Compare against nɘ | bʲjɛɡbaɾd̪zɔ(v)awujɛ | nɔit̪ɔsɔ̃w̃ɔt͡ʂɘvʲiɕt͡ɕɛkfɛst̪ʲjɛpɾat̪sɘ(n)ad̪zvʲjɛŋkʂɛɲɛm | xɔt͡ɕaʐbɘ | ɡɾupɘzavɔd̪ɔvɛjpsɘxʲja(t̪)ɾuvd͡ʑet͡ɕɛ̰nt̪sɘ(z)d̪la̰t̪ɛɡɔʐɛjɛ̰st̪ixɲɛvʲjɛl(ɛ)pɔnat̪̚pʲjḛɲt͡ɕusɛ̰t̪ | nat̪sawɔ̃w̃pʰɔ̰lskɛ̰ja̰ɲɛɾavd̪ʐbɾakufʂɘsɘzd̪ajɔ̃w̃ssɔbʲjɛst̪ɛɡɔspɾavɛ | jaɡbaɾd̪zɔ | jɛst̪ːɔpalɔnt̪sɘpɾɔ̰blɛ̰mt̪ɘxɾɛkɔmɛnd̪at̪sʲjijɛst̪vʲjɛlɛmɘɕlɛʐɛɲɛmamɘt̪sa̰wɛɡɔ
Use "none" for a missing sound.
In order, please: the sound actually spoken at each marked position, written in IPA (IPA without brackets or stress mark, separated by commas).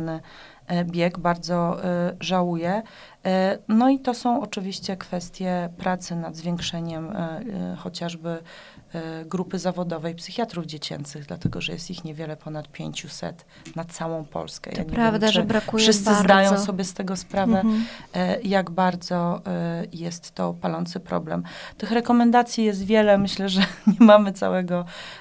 ʐ, n, t̪, ɣ, ɛ